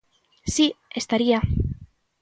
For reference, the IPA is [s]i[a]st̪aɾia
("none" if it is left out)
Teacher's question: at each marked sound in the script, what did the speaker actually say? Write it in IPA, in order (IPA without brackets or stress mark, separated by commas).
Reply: s, e